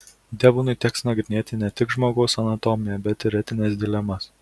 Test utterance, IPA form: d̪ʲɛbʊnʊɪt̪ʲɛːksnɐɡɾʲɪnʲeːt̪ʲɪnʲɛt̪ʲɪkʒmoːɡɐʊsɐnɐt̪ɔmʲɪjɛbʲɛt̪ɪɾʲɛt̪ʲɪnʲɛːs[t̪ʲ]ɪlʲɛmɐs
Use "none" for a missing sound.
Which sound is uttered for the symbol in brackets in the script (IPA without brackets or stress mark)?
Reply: d̪ʲ